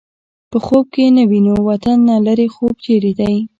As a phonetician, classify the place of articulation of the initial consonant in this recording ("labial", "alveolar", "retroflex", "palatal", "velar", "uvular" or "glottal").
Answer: labial